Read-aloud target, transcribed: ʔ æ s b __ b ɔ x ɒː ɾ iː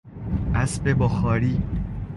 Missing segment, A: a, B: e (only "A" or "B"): B